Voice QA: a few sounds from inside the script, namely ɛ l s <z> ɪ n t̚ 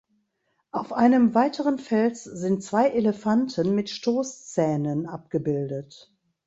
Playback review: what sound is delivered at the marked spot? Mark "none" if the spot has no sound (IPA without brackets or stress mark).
z